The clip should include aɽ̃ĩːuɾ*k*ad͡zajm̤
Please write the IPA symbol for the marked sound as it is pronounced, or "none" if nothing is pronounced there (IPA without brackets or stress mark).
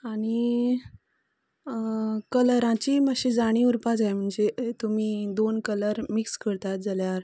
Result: p